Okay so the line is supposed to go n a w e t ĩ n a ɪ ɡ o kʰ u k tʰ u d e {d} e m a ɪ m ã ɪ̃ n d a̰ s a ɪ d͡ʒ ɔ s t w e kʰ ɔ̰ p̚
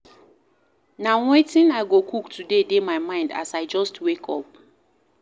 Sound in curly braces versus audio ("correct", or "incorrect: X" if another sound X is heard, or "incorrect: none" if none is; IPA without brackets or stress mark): correct